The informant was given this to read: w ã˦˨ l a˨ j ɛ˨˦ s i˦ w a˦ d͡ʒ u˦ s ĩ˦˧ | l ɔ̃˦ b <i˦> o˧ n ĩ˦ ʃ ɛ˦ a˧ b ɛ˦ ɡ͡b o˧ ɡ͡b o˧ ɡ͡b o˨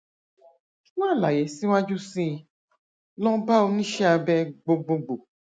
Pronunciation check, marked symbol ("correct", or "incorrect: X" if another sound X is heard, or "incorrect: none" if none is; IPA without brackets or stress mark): incorrect: a˦